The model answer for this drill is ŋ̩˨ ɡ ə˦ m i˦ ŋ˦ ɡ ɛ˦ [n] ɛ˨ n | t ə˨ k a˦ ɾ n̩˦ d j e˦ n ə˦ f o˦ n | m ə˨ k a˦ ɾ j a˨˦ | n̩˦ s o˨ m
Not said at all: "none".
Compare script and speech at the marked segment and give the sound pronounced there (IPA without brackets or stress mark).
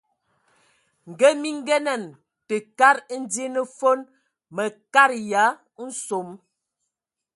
n